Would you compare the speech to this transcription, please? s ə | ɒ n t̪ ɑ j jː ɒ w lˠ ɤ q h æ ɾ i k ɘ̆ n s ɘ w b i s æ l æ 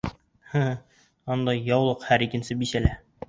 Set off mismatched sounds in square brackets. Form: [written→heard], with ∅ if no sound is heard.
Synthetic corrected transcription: [s→h] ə | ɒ n [t̪→d̪] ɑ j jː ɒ w lˠ ɤ q h æ ɾ i k ɘ̆ n s ɘ [w→∅] b i s æ l æ

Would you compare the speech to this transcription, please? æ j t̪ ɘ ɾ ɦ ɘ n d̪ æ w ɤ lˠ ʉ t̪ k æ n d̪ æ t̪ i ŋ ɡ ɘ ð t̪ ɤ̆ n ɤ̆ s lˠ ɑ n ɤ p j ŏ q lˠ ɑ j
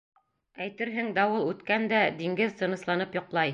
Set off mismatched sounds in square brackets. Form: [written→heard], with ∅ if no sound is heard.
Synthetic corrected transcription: æ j t̪ ɘ ɾ ɦ ɘ [n→ŋ] d̪ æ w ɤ lˠ ʉ t̪ k æ n d̪ æ [t̪→d̪] i ŋ ɡ ɘ ð t̪ ɤ̆ n ɤ̆ s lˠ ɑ n ɤ p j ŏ q lˠ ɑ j

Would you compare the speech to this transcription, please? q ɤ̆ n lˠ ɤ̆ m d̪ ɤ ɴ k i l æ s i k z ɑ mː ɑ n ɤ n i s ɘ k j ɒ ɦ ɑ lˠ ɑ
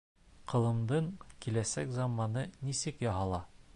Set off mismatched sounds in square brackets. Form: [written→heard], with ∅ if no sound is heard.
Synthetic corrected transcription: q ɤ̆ [n→∅] lˠ ɤ̆ m d̪ ɤ ɴ k i l æ s [i→æ] k z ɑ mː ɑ n ɤ n i s ɘ k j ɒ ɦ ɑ lˠ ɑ

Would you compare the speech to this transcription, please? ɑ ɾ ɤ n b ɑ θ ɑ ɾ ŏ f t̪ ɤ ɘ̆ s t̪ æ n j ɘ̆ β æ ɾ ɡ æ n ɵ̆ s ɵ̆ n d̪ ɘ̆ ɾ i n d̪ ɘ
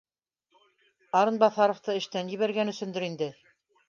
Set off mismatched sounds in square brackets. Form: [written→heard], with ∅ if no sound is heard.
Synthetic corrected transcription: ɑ ɾ ɤ n b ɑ θ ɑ ɾ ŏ f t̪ ɤ ɘ̆ [s→ʃ] t̪ æ n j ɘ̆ β æ ɾ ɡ æ n ɵ̆ s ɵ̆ n d̪ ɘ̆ ɾ i n d̪ ɘ

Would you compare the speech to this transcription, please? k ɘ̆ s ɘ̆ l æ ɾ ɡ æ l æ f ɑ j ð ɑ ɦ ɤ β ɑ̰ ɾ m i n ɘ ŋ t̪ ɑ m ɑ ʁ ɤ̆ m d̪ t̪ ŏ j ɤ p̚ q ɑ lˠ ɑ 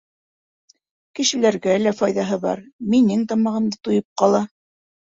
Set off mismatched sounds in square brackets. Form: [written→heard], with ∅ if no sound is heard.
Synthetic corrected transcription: k ɘ̆ [s→ʃ] ɘ̆ l æ ɾ ɡ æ l æ f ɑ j ð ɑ ɦ ɤ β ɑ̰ ɾ m i n ɘ ŋ t̪ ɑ m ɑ ʁ ɤ̆ m d̪ t̪ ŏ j ɤ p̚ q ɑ lˠ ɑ

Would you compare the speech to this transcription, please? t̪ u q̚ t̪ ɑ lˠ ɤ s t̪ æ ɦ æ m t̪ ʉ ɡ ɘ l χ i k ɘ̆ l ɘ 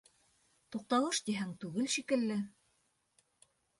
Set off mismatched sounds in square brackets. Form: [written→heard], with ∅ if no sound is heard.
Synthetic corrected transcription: t̪ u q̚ t̪ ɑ lˠ ɤ [s→ʃ] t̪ [æ→i] ɦ æ [m→ŋ] t̪ ʉ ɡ ɘ l [χ→ʃ] i k ɘ̆ [l→lː] ɘ

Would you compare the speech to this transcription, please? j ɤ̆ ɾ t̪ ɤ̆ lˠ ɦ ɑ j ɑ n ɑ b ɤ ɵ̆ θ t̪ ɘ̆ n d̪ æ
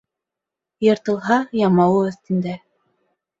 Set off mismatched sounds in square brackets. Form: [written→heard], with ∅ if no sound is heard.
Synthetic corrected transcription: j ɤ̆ ɾ t̪ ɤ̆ lˠ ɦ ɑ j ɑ [n→m] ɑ [b→w] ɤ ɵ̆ θ t̪ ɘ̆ n d̪ æ

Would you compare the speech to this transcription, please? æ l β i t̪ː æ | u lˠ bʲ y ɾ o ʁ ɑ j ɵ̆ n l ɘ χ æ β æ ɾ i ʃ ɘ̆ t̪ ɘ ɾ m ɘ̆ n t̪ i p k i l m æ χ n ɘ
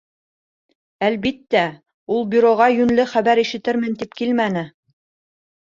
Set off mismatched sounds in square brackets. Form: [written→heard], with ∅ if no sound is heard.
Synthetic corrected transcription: æ l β i t̪ː æ | u lˠ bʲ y ɾ o ʁ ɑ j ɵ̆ n l ɘ χ æ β æ ɾ i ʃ ɘ̆ t̪ ɘ ɾ m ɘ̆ n t̪ i p k i l m æ [χ→∅] n ɘ

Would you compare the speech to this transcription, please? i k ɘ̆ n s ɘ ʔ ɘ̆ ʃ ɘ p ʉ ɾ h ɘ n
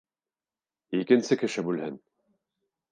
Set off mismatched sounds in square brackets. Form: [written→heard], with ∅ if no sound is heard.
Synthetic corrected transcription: i k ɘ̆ n s ɘ [ʔ→k] ɘ̆ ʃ ɘ [p→b] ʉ [ɾ→l] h ɘ n

